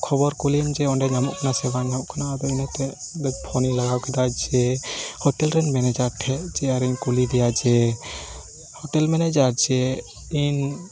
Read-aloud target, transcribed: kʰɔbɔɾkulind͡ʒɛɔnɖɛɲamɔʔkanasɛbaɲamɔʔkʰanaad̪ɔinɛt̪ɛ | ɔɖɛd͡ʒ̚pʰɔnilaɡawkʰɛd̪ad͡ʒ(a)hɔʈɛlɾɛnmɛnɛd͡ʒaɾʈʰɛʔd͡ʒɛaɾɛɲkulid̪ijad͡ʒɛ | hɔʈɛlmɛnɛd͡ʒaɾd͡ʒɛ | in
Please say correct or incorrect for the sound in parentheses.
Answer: incorrect